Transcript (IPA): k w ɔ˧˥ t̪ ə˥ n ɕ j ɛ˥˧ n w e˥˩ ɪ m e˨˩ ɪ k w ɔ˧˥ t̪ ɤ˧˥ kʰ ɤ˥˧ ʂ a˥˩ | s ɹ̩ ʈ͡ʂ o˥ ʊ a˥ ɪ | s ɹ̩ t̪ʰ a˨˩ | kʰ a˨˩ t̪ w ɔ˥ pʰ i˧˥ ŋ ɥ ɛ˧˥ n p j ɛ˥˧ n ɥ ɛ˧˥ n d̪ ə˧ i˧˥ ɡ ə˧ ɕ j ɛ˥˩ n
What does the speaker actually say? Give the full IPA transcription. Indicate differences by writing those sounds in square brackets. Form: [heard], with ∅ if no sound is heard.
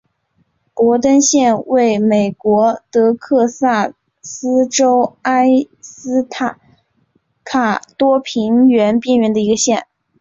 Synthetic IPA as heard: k w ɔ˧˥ t̪ ə˥ n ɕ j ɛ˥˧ n w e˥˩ ɪ m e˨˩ ɪ k w ɔ˧˥ t̪ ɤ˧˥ kʰ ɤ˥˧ [s] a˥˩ | s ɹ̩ ʈ͡ʂ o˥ ʊ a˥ ɪ | s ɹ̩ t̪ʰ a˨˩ | kʰ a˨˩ t̪ w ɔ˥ pʰ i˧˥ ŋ ɥ ɛ˧˥ n p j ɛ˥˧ n ɥ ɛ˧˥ n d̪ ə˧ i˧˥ ɡ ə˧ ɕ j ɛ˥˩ n